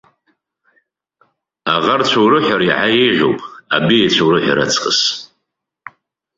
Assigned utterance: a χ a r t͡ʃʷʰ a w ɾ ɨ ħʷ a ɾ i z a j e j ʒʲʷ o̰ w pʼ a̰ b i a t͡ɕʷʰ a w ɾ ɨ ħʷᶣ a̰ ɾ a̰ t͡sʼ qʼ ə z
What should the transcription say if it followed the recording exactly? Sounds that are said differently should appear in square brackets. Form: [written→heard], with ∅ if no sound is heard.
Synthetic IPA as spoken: a [χ→ʁ] a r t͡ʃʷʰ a w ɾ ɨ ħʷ a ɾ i [z→ʕ] a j e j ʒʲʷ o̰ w pʼ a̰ b i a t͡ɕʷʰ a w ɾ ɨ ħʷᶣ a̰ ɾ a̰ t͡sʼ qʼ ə [z→s]